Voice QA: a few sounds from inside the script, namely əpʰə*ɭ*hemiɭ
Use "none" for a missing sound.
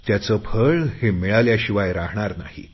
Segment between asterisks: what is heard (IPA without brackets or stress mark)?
ɭ